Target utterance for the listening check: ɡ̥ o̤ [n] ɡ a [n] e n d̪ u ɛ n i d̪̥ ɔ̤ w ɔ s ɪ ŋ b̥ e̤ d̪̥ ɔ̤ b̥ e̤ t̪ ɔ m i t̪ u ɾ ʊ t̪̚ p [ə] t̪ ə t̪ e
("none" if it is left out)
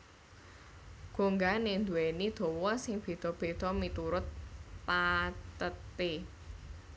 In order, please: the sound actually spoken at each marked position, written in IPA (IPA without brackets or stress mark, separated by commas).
ŋ, n, a